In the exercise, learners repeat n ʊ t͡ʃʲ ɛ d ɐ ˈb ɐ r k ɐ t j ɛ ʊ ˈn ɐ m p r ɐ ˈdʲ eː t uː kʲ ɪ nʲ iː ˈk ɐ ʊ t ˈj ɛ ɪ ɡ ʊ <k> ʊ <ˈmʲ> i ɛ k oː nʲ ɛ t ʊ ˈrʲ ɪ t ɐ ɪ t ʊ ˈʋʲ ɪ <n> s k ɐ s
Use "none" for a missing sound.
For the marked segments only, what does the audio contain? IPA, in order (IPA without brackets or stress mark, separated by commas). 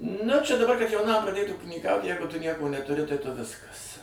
t, nʲ, none